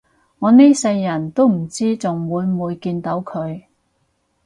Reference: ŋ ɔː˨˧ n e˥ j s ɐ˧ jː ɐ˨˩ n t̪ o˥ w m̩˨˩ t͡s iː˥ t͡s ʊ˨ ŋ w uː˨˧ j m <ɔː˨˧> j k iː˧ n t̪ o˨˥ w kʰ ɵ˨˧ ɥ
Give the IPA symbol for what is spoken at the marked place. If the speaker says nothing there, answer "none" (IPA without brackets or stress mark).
uː˨˧